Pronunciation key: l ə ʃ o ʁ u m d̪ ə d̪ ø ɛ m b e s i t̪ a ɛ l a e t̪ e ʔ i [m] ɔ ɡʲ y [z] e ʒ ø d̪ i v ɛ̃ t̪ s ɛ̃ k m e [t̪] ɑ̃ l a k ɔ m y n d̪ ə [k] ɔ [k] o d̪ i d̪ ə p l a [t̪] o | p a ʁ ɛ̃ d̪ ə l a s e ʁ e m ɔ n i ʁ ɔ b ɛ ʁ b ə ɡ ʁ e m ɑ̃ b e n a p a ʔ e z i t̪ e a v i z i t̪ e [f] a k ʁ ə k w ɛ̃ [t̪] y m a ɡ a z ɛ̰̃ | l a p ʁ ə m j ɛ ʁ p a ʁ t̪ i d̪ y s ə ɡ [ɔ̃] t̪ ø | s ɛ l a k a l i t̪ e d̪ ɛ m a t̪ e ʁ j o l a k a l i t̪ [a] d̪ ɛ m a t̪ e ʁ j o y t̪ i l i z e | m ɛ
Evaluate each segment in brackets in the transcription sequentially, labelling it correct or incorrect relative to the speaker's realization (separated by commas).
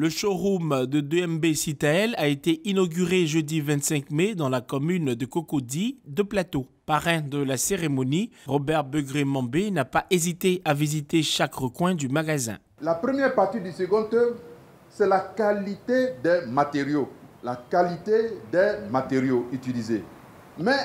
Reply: incorrect, incorrect, incorrect, correct, correct, correct, incorrect, incorrect, correct, incorrect